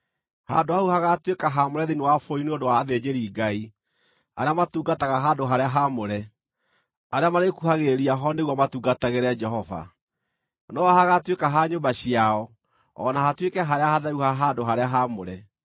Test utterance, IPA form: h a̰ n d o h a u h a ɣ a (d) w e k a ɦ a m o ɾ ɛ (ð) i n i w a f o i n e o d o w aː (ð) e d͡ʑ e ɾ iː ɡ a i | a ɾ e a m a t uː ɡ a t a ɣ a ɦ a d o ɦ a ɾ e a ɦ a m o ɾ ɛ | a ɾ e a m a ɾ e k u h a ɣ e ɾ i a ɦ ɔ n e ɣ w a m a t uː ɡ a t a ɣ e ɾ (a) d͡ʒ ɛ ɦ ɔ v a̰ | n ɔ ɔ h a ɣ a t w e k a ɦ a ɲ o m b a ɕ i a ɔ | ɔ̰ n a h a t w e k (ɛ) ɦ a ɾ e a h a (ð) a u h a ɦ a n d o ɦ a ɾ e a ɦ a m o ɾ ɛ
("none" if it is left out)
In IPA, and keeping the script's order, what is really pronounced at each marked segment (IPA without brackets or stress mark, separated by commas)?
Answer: t, ð, ð, ɛ, ɛ, ð